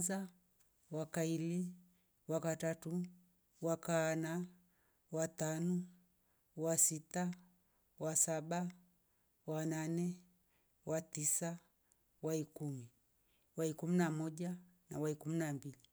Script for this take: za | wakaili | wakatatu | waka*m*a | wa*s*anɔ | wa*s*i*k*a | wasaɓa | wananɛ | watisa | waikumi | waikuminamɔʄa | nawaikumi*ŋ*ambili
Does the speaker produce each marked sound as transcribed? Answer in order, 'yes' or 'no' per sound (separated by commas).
no, no, yes, no, no